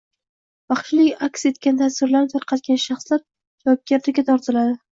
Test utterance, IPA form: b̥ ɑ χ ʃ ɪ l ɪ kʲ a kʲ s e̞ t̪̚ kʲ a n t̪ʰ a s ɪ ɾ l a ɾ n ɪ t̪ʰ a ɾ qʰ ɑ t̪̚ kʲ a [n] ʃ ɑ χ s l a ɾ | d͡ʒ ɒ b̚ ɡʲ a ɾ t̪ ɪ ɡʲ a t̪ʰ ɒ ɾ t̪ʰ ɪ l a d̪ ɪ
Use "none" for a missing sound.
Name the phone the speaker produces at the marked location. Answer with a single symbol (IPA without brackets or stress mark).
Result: n